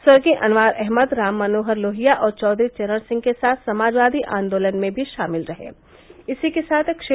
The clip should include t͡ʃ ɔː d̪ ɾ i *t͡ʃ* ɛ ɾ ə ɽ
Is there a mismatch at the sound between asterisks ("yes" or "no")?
no